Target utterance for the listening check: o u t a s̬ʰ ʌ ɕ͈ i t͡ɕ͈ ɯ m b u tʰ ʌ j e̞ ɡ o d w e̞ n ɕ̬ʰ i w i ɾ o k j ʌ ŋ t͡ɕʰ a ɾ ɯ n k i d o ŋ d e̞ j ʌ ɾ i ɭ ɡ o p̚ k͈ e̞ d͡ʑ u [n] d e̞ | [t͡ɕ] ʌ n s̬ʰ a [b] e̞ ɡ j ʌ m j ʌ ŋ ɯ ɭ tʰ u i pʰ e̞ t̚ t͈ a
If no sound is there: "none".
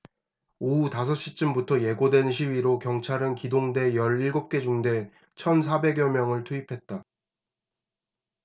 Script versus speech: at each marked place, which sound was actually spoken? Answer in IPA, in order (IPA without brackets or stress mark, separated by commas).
ŋ, t͡ɕʰ, b